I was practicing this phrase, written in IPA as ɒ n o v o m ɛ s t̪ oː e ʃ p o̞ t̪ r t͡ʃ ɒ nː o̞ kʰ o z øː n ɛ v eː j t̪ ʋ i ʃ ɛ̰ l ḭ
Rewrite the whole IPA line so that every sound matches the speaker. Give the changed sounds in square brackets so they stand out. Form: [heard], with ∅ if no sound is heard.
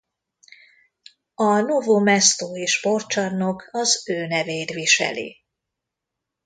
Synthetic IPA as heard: ɒ n o v o m ɛ s t̪ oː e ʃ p o̞ [∅] r t͡ʃ ɒ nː o̞ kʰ [ɒ] z øː n ɛ v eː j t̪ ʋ i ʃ ɛ̰ l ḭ